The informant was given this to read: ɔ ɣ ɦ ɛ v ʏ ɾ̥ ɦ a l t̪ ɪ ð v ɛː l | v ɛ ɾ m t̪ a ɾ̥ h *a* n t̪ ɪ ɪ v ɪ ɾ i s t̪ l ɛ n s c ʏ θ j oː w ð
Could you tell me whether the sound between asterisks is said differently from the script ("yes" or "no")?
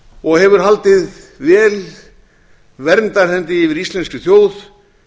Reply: yes